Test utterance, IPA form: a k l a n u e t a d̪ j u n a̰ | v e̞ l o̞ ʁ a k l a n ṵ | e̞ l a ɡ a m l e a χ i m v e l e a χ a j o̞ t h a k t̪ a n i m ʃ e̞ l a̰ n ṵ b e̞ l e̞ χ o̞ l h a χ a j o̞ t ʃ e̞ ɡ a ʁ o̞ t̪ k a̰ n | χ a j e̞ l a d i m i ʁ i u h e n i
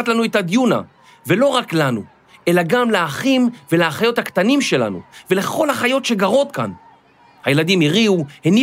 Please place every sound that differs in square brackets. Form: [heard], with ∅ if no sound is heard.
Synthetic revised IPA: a [t] l a n u e t a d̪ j u n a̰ | v e̞ l o̞ ʁ a k l a n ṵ | e̞ l a ɡ a m l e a χ i m v e l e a χ a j o̞ t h a k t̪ a n i m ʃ e̞ l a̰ n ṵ [v] e̞ l e̞ χ o̞ l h a χ a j o̞ t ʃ e̞ ɡ a ʁ o̞ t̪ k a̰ n | [h] a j e̞ l a d i m i ʁ i u h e n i